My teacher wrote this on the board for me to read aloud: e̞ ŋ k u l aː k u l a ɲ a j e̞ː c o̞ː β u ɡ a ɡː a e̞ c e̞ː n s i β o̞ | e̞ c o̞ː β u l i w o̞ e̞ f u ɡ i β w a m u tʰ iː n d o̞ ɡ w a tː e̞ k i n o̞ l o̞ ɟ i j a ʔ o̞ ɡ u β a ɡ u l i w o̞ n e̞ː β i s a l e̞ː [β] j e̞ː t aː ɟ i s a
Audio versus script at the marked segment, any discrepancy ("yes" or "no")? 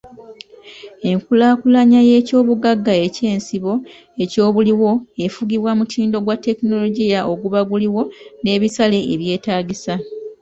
no